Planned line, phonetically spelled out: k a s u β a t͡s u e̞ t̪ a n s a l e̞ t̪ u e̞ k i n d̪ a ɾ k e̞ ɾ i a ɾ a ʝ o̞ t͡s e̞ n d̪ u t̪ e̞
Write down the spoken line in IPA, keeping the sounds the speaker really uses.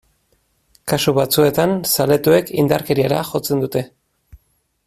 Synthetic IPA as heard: k a s u β a t͡s u e̞ t̪ a n s a l e̞ t̪ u e̞ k i n d̪ a ɾ k e̞ ɾ i a ɾ a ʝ o̞ t͡s e̞ n d̪ u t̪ e̞